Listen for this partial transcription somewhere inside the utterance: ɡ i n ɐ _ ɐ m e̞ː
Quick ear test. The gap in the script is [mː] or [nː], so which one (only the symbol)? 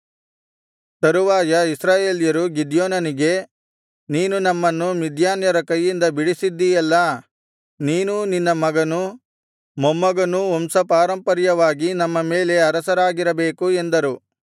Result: mː